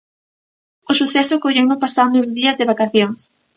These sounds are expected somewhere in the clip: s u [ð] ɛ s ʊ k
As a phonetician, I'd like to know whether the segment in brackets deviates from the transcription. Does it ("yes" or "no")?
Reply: yes